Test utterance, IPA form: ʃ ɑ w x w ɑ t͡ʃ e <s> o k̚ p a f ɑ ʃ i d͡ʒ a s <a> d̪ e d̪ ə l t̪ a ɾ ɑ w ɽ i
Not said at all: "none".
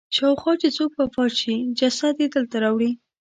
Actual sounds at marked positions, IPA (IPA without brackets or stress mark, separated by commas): t͡s, a